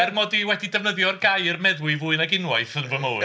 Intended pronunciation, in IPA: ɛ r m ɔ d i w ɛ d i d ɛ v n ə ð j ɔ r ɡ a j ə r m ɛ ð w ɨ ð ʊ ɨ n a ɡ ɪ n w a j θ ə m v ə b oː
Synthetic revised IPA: ɛ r m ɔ d i w ɛ d i d ɛ v n ə ð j ɔ r ɡ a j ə r m ɛ ð w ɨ v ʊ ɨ n a ɡ ɪ n w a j θ ə n v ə m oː